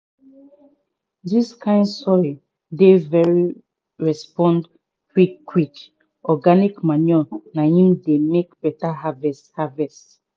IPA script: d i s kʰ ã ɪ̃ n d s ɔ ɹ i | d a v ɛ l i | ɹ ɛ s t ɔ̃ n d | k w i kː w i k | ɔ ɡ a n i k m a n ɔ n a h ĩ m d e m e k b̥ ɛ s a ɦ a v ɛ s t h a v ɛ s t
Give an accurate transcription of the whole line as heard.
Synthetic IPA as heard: d i s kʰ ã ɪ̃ n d s ɔ ɹ i | d e v ɛ ɹ i | ɹ ɛ s p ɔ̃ n d | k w i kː w i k | ɔ ɡ a n i k m a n ɔ n a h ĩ m d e m e k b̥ ɛ t a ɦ a v ɛ s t h a v ɛ s t

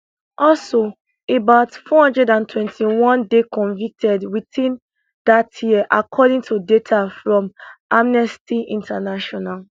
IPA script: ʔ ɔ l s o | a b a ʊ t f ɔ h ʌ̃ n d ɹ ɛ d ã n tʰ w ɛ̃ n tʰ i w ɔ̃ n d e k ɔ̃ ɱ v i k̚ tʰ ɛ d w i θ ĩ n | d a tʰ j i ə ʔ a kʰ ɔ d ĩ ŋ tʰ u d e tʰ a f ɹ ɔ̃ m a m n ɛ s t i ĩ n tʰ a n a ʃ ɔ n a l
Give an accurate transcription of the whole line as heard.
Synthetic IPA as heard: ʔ ɔ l s o | e b a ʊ t f ɔ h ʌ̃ n d ɹ ɛ d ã n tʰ w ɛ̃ n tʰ i w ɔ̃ n d e k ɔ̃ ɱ v i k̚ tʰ ɛ d w i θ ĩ n | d a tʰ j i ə ʔ a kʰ ɔ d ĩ ŋ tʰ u d e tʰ a f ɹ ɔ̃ m a m n ɛ s t i ĩ n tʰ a n a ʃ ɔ n a l

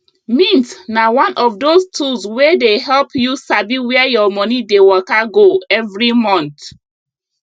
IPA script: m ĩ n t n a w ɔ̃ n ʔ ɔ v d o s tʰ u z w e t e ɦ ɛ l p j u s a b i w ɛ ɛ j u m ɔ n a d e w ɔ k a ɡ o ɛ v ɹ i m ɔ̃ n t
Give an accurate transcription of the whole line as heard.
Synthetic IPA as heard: m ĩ n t n a w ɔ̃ n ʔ ɔ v d o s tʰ u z w e d e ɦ ɛ l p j u s a b i w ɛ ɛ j ɔ m ɔ n i d e w ɔ k a ɡ o ɛ v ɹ i m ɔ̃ n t

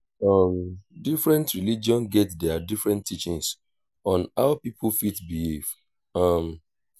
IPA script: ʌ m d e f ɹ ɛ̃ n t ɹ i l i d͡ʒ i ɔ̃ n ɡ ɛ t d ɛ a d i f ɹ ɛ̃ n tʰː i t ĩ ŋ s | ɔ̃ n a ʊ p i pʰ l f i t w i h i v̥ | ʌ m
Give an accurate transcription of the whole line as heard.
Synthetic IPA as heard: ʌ m d i f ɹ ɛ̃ n t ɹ i l i d͡ʒ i ɔ̃ n ɡ ɛ t d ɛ a d i f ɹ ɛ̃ n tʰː i t͡ʃ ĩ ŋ s | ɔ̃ n a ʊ p i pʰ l f i t b i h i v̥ | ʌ m

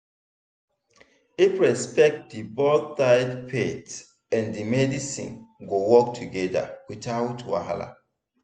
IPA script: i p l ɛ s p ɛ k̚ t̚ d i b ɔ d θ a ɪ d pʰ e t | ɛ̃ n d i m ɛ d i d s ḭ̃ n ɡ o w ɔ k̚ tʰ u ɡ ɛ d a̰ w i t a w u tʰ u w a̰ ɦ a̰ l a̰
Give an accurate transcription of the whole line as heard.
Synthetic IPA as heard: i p ɹ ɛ s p ɛ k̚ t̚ d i b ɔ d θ a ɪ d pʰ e t | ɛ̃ n d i m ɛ d i s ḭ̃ n ɡ o w ɔ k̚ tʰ u ɡ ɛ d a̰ w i t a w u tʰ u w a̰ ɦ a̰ l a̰

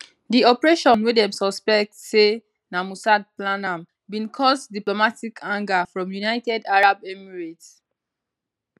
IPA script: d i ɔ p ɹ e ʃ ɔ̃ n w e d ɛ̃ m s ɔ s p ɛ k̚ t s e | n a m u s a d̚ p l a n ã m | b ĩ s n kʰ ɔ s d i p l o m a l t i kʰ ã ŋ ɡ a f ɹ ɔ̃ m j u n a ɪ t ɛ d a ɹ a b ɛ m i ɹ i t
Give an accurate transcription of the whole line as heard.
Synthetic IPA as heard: d i ɔ p ɹ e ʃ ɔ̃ n w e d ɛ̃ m s ɔ s p ɛ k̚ t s e | n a m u s a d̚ p l a n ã m | b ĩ n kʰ ɔ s d i p l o m a t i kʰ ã ŋ ɡ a f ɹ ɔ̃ m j u n a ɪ t ɛ d a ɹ a b ɛ m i ɹ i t

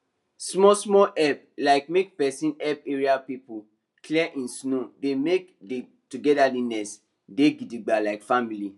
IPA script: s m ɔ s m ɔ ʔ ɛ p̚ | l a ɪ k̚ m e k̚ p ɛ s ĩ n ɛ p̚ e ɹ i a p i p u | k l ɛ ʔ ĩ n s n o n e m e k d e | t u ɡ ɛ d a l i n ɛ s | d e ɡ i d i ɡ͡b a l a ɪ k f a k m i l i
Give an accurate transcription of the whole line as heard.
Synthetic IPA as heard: s m ɔ s m ɔ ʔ ɛ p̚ | l a ɪ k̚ m e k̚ p ɛ s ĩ n ɛ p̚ e ɹ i a p i p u | k l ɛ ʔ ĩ n s n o d e m e k d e | t u ɡ ɛ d a l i n ɛ s | d e ɡ i d i ɡ͡b a l a ɪ k f a m i l i

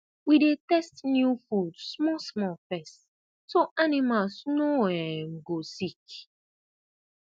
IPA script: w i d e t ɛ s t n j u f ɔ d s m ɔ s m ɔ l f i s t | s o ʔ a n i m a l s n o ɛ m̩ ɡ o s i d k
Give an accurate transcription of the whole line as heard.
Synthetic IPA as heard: w i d e t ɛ s t n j u f u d s m ɔ s m ɔ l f ɛ s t | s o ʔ a n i m a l s n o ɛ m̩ ɡ o s i k

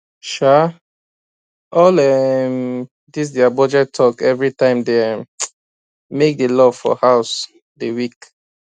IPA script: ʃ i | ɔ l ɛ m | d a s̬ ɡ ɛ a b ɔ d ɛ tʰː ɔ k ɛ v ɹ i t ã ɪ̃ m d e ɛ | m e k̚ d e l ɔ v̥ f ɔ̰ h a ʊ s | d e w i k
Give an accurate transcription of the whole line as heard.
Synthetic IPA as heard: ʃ a | ɔ l ɛ m | d i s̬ d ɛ a b ɔ d͡ʒ ɛ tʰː ɔ k ɛ v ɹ i t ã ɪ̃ m d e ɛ | m e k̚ d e l ɔ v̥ f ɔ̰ h a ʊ s | d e w i k

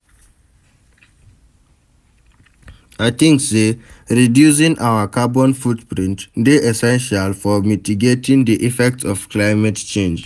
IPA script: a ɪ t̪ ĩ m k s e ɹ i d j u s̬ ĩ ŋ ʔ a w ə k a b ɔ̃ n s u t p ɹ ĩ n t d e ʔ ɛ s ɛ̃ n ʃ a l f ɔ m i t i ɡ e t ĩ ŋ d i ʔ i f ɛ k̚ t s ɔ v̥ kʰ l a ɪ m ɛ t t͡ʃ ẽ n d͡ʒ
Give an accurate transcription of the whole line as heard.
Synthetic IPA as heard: a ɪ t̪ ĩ ŋ k s e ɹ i d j u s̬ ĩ ŋ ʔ a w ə k a b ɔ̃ n f u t p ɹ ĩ n t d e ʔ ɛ s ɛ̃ n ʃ a l f ɔ m i t i ɡ e t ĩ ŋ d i ʔ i f ɛ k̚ t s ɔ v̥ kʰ l a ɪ m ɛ t t͡ʃ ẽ n d͡ʒ

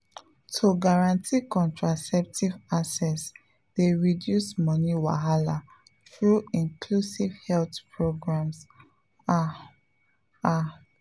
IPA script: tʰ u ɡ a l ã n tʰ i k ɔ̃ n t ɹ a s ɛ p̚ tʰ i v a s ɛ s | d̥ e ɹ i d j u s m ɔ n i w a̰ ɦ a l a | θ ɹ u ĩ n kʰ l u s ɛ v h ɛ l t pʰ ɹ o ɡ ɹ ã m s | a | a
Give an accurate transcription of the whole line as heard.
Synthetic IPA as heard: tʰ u ɡ a ɹ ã n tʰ i k ɔ̃ n t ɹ a s ɛ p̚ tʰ i v a s ɛ s | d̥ e ɹ i d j u s m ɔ n i w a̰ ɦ a l a | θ ɹ u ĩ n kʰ l u s i v h ɛ l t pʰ ɹ o ɡ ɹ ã m s | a | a

